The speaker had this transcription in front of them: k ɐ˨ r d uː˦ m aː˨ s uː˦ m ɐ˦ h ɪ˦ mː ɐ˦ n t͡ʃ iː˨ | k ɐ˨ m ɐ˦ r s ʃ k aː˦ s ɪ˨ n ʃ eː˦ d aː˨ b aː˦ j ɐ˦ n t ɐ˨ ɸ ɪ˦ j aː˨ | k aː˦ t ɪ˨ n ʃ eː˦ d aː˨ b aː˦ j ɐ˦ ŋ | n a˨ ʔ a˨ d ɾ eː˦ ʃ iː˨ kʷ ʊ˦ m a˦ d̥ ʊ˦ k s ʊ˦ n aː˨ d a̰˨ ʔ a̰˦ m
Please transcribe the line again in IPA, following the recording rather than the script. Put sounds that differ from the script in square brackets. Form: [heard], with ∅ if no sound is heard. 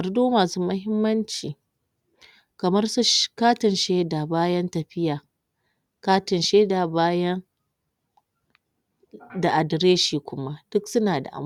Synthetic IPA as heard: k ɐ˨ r d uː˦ m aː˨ s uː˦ m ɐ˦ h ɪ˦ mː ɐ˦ n t͡ʃ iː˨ | k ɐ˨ m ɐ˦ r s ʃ k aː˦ [t] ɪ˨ n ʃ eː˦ d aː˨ b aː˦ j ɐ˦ n t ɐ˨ ɸ ɪ˦ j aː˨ | k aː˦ t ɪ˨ n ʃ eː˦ d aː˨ b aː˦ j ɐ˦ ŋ | [d] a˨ ʔ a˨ d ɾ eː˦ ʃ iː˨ kʷ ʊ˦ m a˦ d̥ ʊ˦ k s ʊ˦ n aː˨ d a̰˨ ʔ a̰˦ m

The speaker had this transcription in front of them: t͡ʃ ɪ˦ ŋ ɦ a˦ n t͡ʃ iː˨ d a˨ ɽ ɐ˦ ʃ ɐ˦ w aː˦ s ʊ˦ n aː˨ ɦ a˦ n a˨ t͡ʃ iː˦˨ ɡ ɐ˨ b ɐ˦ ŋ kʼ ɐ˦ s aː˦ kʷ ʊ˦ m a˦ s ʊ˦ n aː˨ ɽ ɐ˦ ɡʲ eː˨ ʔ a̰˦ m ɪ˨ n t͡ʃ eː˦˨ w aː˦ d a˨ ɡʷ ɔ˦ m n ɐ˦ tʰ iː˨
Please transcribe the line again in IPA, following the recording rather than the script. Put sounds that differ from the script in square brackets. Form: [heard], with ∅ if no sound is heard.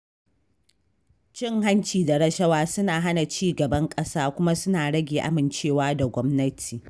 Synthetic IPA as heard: t͡ʃ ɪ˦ ŋ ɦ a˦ n t͡ʃ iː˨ d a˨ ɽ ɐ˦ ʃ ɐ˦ w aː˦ s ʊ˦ n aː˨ ɦ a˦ n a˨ t͡ʃ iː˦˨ ɡ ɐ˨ b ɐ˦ ŋ kʼ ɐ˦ s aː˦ kʷ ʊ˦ m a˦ s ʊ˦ n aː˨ ɽ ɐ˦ ɡʲ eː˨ ʔ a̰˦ m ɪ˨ n t͡ʃ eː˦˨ w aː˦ d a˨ ɡʷ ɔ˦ m n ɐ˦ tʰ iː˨

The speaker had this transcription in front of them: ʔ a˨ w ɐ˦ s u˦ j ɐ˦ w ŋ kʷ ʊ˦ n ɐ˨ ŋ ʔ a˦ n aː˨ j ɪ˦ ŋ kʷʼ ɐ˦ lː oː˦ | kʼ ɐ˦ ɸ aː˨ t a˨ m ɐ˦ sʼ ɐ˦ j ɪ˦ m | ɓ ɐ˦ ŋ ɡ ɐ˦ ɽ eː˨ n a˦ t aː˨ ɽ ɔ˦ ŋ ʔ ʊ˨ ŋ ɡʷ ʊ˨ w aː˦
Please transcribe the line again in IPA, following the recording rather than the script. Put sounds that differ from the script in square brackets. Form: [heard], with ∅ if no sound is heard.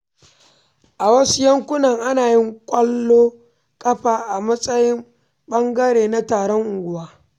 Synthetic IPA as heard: ʔ a˨ w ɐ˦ s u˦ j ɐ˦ [∅] ŋ kʷ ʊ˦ n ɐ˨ ŋ ʔ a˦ n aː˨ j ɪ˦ ŋ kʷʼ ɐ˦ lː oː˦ | kʼ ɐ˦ ɸ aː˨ [ʔ] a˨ m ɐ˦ sʼ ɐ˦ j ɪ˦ m | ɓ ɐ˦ ŋ ɡ ɐ˦ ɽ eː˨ n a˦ t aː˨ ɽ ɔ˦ ŋ ʔ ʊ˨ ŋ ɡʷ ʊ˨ w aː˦

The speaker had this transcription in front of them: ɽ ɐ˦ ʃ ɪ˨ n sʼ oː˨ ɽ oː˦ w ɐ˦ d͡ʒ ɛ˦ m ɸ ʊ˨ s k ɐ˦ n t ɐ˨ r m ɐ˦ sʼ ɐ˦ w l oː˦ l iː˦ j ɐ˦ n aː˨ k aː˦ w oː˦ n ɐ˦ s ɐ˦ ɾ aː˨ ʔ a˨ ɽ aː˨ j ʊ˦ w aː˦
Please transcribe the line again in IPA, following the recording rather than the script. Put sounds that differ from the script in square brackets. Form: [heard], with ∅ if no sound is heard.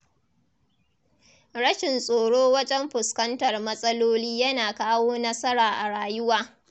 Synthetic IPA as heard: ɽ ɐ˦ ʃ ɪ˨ n sʼ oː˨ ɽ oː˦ w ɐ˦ d͡ʒ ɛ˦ m ɸ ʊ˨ s k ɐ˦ n t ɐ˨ r m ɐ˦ sʼ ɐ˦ [∅] l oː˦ l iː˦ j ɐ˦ n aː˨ k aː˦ w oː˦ n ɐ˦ s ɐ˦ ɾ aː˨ ʔ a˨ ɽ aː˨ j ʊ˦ w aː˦

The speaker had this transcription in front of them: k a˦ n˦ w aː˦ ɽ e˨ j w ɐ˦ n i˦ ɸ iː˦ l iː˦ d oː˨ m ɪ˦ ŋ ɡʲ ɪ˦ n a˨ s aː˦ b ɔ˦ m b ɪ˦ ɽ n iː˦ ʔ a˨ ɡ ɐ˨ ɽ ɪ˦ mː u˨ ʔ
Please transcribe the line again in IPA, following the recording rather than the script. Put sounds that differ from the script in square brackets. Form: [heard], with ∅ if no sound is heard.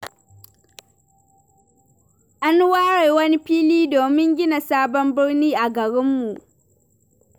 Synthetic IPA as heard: [ʔ] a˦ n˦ w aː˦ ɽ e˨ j w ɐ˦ n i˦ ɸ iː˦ l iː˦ d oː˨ m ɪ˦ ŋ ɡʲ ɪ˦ n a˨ s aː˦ b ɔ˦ m b ɪ˦ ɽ n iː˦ ʔ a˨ ɡ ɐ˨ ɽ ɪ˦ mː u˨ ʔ

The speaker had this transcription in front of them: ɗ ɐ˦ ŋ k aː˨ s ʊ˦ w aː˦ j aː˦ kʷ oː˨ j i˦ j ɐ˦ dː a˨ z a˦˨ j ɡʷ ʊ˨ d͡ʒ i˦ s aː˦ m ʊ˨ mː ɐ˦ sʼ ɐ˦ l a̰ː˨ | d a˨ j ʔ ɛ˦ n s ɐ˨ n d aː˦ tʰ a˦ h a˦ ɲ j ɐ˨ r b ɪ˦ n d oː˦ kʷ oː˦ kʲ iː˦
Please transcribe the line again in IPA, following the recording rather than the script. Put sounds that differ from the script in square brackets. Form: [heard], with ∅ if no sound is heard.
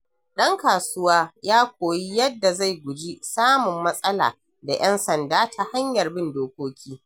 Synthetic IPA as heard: ɗ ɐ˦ ŋ k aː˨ s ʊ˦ w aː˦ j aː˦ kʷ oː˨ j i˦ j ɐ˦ dː a˨ z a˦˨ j ɡʷ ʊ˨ d͡ʒ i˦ s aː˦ m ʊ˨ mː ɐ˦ sʼ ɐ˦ l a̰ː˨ | d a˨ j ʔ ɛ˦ n s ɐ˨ n d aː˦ tʰ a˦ h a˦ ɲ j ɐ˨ r b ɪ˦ n d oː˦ kʷ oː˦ kʲ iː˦

